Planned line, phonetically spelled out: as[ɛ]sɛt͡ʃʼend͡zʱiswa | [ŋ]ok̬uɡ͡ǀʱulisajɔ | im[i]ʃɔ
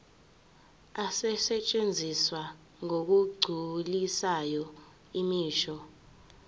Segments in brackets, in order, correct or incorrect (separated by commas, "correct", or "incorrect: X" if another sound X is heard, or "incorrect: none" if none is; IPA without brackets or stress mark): correct, correct, incorrect: iː